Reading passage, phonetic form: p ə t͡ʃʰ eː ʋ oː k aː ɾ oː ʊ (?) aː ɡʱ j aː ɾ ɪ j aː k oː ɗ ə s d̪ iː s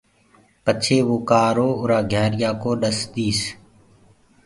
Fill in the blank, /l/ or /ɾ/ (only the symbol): ɾ